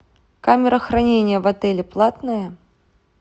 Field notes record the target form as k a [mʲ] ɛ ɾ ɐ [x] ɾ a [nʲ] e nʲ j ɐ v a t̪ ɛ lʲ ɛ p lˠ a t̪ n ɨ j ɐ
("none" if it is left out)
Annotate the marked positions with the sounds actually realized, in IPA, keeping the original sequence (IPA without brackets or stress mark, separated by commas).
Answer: mʲ, x, nʲ